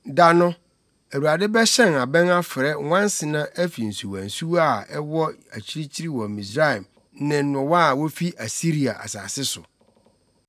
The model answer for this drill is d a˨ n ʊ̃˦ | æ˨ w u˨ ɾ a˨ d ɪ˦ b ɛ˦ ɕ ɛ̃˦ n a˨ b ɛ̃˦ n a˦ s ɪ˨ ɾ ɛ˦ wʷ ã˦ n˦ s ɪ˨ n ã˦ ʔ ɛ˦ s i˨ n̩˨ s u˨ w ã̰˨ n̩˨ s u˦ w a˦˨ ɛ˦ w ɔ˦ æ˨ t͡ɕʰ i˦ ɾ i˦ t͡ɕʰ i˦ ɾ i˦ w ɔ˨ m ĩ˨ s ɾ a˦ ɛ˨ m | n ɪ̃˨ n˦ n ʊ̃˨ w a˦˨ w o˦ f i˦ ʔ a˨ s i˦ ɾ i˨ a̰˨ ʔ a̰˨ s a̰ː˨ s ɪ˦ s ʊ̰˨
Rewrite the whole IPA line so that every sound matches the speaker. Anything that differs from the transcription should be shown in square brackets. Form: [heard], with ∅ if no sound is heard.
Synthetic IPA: d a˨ n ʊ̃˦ | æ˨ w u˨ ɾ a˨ d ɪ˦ b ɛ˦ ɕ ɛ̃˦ n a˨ b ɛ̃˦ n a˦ [f] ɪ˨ ɾ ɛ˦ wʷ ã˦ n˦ s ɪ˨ n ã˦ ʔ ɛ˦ [f] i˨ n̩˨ s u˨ w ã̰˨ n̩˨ s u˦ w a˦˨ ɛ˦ w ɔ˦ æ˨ t͡ɕʰ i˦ ɾ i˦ t͡ɕʰ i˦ ɾ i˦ w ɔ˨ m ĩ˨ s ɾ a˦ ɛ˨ m | n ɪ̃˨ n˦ n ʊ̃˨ w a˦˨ w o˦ f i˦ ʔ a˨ s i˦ ɾ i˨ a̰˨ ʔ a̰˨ s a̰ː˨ s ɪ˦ s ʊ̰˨